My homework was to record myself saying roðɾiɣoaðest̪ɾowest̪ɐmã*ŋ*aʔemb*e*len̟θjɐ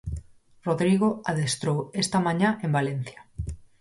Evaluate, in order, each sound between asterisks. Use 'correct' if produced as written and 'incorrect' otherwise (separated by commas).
incorrect, incorrect